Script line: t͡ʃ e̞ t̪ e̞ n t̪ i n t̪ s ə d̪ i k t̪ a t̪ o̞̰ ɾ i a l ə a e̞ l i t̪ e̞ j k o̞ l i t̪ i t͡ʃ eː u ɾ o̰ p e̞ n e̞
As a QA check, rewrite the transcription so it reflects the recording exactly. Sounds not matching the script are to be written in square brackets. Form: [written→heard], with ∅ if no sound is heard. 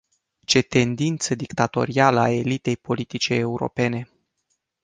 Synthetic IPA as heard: t͡ʃ e̞ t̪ e̞ n [t̪→d̪] i n t̪ s ə d̪ i k t̪ a t̪ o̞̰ ɾ i a l ə a e̞ l i t̪ e̞ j [k→p] o̞ l i t̪ i t͡ʃ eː u ɾ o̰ p e̞ n e̞